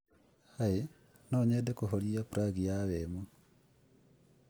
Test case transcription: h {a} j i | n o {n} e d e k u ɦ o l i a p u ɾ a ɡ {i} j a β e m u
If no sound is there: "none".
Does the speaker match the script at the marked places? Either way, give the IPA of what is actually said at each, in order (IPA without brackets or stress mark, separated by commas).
a, ɲ, i